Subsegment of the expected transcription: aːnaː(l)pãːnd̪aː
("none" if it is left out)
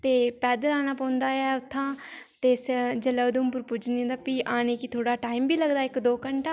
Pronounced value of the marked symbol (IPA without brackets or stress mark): none